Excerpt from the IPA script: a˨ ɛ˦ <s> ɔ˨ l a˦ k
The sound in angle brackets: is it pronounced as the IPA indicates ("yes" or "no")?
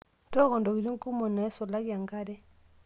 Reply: yes